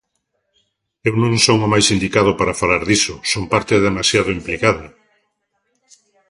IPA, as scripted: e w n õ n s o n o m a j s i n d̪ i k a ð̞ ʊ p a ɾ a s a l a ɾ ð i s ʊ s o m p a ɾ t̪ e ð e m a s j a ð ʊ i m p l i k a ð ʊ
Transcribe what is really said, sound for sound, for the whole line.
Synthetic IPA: e w n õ ŋ s o ŋ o m a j s i n d̪ i k a ð̞ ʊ p a ɾ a f a l a ɾ ð i s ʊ s o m p a ɾ t̪ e ð e m a s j a ð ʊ i m p l i k a ð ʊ